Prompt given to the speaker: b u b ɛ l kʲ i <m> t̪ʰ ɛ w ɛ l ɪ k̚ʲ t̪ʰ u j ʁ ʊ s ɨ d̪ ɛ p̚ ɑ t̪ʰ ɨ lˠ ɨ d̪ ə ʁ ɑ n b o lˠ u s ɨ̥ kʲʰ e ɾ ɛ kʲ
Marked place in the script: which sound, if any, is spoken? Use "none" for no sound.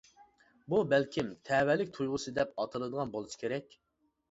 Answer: m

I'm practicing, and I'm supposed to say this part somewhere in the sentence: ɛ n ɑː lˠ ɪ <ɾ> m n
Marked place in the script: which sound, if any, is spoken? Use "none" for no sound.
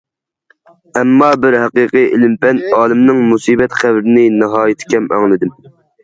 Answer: none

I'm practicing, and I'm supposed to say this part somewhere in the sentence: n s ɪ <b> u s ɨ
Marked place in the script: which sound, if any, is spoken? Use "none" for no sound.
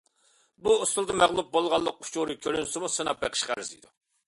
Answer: m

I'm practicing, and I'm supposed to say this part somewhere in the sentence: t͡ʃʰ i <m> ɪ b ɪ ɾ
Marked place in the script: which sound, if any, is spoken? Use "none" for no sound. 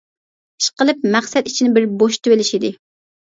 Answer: n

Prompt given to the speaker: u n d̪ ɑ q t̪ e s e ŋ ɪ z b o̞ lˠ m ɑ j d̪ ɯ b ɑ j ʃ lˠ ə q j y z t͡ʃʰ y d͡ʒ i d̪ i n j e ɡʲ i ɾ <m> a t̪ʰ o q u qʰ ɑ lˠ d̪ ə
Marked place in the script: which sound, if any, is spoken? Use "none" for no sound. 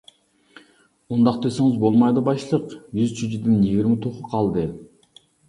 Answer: m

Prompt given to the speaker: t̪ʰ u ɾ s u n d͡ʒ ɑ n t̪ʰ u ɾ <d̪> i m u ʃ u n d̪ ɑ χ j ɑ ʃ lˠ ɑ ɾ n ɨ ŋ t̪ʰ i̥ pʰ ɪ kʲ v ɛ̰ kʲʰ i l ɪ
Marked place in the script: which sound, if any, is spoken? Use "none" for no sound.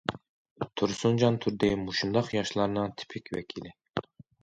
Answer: d̪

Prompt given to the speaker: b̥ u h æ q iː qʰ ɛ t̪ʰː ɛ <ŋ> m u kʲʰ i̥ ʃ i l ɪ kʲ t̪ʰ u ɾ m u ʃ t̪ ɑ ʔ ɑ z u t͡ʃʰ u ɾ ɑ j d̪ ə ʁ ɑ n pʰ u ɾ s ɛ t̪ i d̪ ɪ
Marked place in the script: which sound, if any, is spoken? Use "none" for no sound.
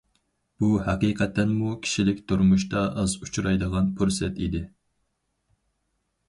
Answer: n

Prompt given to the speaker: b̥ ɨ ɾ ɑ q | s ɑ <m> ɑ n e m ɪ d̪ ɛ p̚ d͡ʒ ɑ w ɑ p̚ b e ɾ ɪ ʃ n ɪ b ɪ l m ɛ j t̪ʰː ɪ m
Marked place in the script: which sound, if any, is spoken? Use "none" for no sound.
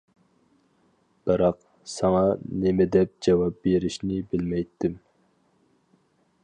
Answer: ŋ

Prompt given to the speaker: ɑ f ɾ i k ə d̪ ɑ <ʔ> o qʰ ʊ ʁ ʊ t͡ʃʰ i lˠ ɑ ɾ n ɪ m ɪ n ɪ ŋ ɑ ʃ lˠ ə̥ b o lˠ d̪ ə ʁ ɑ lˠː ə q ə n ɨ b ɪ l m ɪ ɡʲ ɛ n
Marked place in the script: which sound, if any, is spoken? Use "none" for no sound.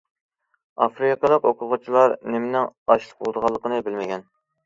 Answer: q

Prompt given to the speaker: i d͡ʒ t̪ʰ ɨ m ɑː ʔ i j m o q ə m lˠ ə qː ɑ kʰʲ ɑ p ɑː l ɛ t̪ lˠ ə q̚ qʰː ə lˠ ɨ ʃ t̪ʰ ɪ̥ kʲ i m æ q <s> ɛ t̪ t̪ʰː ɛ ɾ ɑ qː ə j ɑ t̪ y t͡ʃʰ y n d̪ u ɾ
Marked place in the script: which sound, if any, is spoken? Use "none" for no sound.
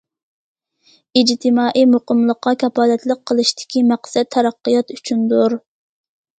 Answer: s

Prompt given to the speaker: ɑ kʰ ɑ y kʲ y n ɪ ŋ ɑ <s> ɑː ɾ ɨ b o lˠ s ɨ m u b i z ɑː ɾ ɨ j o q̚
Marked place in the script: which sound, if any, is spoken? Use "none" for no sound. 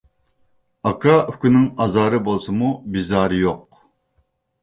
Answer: z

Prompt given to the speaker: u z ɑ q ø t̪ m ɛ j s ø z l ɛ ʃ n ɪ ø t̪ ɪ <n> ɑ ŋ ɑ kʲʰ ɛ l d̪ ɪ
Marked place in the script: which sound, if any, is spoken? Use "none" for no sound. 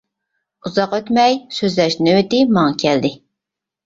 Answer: m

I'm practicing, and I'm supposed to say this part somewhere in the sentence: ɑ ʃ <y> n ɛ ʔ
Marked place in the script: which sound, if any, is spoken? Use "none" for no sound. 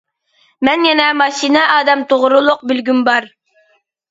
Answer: i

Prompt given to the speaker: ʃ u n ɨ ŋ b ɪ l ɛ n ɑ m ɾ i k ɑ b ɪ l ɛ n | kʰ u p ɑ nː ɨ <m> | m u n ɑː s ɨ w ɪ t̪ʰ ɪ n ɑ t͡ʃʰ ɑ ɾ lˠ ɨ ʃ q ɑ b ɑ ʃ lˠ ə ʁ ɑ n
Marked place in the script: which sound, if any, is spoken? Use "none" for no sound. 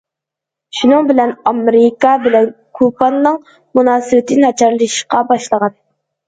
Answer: ŋ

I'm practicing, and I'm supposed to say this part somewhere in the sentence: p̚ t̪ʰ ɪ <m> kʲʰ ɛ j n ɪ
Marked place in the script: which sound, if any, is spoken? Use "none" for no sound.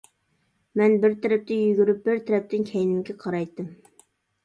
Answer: n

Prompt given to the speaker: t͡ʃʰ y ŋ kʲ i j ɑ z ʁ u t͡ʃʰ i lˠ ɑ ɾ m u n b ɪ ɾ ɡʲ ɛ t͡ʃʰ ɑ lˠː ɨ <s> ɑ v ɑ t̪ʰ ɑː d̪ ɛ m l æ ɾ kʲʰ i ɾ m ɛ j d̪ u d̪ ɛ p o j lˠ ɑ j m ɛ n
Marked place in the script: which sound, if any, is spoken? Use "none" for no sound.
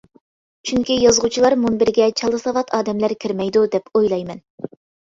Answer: s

